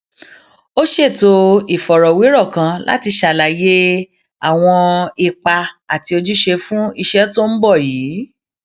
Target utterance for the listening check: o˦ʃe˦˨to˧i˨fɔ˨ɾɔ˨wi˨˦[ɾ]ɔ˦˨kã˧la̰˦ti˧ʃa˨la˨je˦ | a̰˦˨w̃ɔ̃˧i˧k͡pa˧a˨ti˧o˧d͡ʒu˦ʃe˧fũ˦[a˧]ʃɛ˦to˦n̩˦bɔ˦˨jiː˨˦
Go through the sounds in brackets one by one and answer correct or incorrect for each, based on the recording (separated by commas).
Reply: correct, incorrect